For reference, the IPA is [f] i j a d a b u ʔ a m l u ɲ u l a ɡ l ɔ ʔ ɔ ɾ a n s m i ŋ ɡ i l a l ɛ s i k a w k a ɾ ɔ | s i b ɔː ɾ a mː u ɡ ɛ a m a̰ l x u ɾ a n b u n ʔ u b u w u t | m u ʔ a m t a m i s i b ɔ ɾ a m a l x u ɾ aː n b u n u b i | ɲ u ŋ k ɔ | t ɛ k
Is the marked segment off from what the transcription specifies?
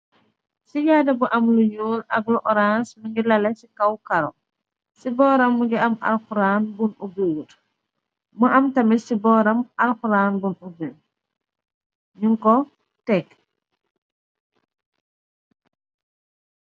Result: yes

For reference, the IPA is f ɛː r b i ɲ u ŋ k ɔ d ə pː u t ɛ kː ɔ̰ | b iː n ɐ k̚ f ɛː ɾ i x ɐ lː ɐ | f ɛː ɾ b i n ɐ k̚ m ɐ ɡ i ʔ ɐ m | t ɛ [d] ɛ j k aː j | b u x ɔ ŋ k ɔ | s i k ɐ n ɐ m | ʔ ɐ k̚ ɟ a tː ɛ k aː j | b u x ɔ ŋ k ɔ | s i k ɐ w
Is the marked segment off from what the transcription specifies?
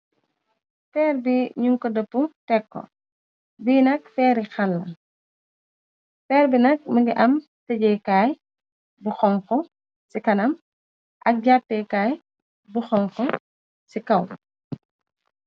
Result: yes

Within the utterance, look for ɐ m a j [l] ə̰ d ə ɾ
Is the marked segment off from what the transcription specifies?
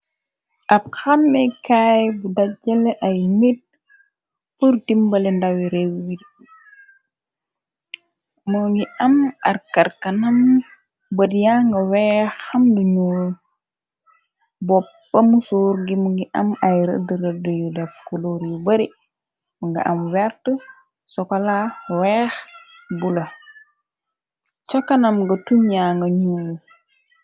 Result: yes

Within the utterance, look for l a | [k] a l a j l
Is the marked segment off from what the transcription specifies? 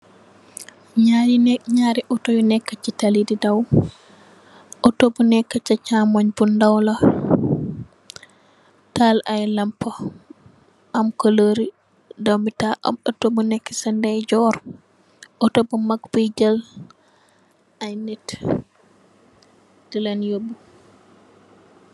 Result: yes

